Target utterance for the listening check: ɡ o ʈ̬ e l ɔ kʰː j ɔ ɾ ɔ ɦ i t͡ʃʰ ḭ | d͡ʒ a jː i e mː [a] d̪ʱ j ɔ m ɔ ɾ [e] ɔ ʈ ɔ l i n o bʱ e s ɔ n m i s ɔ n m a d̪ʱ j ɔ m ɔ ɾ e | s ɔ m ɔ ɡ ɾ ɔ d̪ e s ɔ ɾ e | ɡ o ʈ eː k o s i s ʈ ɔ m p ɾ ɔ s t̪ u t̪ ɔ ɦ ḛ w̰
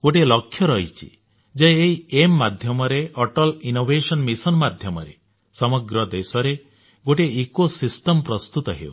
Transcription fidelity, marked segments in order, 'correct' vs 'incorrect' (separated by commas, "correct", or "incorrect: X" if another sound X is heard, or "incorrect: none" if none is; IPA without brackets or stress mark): correct, correct